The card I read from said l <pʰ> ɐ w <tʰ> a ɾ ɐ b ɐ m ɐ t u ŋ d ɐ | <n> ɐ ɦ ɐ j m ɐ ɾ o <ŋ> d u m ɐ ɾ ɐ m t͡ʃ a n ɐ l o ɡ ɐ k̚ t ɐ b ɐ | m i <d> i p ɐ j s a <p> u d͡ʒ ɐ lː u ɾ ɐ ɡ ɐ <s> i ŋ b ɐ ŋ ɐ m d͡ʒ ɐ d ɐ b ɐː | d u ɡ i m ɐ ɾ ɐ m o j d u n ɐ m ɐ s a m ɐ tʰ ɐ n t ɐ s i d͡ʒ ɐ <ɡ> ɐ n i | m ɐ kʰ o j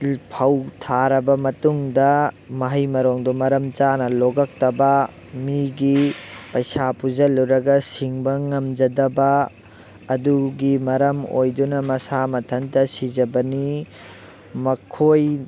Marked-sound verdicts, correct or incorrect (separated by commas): correct, correct, incorrect, correct, incorrect, correct, correct, incorrect